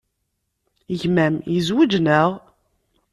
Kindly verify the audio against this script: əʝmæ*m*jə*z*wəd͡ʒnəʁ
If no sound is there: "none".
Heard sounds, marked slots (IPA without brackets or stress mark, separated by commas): m, z